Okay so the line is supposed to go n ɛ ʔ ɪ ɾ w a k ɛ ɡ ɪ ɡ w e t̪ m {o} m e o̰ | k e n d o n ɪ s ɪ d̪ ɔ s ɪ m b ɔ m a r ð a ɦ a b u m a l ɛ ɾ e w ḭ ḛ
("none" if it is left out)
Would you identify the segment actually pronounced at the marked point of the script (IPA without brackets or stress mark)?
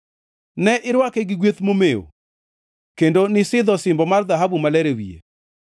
o